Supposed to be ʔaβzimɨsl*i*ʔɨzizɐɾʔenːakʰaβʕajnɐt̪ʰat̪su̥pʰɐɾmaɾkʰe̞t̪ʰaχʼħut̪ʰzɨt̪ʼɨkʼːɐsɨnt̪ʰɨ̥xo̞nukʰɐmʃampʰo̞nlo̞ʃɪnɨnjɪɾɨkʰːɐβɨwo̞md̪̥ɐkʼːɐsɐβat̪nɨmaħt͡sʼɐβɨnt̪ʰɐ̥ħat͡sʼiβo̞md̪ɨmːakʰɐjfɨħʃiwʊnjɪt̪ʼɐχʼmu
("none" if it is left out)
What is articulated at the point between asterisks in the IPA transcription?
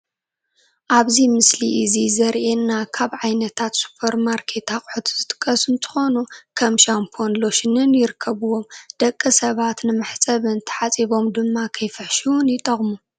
i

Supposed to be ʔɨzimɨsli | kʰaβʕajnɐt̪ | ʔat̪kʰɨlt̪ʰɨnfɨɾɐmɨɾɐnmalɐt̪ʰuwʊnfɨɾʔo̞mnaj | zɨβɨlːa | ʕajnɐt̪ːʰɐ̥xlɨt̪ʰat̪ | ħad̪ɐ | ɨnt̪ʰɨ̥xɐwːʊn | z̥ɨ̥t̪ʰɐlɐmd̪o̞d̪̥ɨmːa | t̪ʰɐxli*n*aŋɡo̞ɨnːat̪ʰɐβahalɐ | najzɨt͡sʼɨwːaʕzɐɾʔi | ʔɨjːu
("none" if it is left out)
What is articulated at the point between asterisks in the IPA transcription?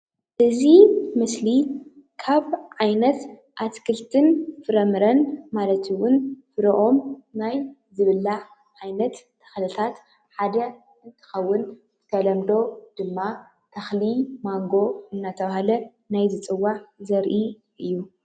m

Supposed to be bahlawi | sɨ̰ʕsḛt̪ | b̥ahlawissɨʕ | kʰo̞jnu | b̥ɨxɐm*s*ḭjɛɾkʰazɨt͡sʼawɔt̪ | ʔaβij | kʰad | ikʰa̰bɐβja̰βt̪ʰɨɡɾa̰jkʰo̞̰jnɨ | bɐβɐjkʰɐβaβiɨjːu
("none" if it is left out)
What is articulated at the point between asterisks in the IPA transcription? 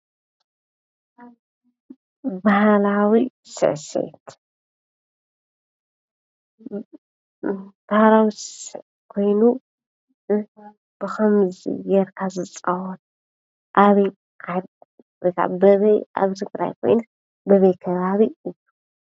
z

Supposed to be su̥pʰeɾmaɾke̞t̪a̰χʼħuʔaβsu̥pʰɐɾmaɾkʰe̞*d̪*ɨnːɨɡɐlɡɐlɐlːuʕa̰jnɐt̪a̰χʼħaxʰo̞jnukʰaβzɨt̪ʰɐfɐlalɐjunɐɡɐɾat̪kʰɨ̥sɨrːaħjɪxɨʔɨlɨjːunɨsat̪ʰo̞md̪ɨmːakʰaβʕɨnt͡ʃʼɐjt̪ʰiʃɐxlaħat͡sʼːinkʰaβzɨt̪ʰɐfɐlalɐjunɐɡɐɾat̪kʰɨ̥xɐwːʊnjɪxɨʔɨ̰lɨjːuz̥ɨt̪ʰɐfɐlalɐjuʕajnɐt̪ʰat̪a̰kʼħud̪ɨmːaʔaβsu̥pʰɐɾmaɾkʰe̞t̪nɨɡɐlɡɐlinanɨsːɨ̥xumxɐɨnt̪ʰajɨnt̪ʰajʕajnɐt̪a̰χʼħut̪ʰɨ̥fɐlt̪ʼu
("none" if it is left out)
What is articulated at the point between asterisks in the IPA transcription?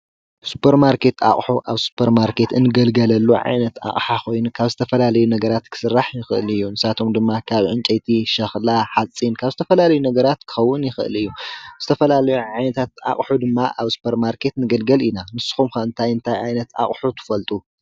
t̪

